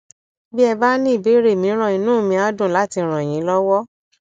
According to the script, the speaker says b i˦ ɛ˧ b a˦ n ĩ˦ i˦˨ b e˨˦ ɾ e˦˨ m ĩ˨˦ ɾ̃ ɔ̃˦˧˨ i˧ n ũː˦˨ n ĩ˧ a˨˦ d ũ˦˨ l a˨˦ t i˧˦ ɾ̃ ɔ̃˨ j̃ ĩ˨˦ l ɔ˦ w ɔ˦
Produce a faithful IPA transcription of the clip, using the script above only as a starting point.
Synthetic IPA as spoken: b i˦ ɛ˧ b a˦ n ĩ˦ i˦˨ b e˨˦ ɾ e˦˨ m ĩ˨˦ ɾ̃ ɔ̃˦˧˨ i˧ n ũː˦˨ m ĩ˧ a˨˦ d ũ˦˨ l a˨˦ t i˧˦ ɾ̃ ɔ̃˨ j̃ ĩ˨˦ l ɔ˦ w ɔ˦